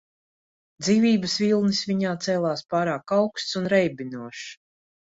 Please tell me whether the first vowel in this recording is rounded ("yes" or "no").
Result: no